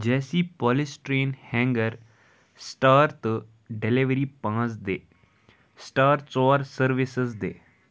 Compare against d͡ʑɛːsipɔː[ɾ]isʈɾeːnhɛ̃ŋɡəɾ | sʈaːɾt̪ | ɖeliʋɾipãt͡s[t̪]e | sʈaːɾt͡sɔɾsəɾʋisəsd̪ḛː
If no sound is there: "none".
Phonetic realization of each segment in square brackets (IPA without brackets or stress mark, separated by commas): l, d̪